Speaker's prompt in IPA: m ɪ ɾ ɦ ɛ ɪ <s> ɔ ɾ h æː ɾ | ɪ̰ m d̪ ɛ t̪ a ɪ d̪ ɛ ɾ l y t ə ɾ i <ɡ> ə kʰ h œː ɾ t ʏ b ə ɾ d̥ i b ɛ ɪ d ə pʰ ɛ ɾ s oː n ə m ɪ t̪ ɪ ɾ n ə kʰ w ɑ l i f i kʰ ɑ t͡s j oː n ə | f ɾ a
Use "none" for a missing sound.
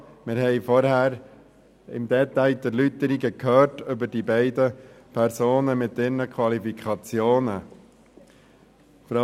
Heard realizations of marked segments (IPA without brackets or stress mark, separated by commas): f, ɡ